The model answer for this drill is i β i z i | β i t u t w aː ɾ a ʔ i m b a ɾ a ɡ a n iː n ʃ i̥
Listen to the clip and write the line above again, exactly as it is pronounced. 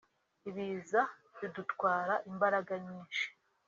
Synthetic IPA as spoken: i β i z a | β i d u t w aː ɾ a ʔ i m b a ɾ a ɡ a ɲ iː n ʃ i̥